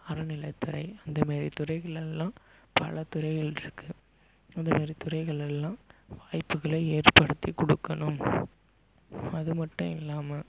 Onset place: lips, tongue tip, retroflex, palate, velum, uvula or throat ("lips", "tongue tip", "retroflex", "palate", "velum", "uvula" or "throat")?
tongue tip